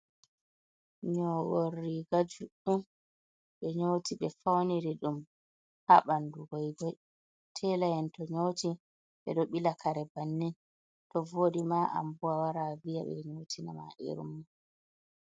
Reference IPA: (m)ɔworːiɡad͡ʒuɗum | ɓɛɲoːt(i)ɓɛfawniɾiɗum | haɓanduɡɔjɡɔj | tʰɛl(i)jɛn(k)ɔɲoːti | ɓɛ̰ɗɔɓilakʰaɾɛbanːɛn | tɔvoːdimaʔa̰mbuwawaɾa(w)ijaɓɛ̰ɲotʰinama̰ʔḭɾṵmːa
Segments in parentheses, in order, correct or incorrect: incorrect: ɲ, correct, incorrect: a, incorrect: t, incorrect: v

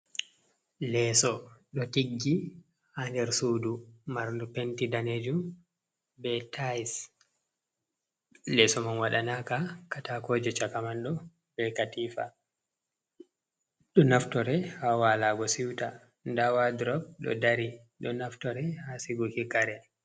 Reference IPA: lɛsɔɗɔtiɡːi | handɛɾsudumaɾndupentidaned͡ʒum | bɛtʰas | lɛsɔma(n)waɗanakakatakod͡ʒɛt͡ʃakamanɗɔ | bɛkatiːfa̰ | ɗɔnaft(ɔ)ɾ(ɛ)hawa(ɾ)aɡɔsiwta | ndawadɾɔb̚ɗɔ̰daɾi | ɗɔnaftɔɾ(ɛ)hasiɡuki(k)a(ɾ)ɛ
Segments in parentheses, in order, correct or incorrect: correct, correct, correct, incorrect: l, correct, correct, correct

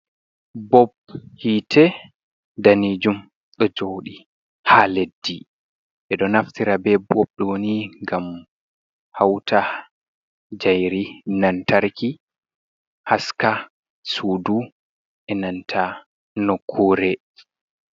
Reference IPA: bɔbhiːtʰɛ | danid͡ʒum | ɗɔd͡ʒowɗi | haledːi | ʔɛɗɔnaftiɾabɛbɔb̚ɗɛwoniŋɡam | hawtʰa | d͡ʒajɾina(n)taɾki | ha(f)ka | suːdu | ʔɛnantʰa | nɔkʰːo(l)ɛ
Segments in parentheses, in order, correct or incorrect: correct, incorrect: s, incorrect: ɾ

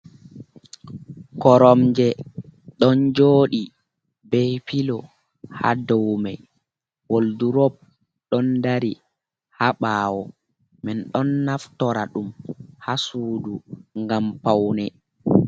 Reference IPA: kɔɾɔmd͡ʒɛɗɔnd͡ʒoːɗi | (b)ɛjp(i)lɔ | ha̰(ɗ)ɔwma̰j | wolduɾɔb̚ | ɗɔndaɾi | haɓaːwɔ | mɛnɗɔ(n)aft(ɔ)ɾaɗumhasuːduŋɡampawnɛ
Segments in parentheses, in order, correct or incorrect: correct, correct, incorrect: d, incorrect: nː, correct

